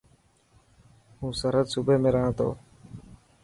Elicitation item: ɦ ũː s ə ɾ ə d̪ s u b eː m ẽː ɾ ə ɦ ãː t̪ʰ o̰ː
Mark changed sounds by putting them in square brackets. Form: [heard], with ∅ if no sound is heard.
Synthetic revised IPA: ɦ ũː s ə ɾ ə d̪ s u b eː m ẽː ɾ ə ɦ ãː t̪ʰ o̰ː